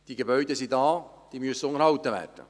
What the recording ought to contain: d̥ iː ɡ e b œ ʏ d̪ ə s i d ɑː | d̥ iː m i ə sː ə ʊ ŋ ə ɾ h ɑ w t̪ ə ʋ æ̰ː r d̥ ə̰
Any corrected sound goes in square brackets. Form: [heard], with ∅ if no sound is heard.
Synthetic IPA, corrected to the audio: d̥ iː ɡ e b œ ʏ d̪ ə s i d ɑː | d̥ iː m [y] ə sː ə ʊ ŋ ə ɾ h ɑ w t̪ ə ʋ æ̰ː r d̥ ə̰